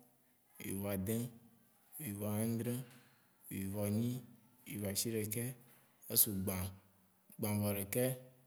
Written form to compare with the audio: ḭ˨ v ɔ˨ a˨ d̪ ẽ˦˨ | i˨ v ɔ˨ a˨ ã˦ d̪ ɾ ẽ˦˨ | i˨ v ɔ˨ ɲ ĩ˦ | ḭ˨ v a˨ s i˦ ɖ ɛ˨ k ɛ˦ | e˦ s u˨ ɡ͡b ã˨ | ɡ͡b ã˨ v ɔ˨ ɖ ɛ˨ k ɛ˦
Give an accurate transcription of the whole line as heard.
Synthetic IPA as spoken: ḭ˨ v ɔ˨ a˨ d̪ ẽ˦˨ | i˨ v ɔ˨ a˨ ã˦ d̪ ɾ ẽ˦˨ | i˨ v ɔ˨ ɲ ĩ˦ | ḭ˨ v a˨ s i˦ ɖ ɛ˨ k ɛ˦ | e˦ s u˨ ɡ͡b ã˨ | ɡ͡b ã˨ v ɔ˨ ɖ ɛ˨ k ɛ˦